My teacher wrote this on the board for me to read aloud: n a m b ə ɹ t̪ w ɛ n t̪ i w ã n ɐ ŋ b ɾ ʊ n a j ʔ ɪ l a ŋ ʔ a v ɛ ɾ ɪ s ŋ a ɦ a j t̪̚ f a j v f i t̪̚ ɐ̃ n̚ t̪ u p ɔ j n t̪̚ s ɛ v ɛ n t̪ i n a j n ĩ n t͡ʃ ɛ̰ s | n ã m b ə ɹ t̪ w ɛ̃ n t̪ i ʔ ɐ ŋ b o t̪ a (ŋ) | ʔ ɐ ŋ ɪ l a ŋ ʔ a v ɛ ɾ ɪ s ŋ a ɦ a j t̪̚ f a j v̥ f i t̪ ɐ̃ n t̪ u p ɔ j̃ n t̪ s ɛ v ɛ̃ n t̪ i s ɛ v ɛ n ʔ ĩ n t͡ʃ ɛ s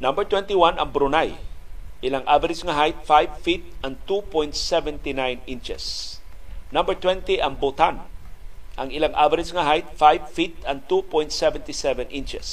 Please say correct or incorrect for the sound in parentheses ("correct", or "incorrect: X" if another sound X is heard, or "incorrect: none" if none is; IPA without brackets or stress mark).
incorrect: n